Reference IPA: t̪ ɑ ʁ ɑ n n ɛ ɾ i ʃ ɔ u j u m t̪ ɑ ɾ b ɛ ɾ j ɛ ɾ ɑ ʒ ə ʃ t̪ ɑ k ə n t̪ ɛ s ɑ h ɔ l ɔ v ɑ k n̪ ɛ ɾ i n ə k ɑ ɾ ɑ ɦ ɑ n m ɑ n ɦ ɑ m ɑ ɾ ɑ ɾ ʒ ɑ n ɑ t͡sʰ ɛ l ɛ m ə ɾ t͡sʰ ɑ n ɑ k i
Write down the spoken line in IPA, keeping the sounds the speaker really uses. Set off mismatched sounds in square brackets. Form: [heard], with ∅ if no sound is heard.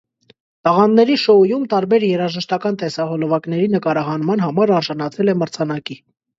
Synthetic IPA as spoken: t̪ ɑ ʁ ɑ n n ɛ ɾ i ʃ ɔ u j u m t̪ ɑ ɾ b ɛ ɾ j ɛ ɾ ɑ ʒ ə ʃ t̪ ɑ k [ɑ] n t̪ ɛ s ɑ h ɔ l ɔ v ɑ k n̪ ɛ ɾ i n ə k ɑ ɾ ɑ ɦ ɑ n m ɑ n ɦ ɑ m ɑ ɾ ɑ ɾ ʒ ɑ n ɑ t͡sʰ ɛ l ɛ m ə ɾ t͡sʰ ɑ n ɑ k i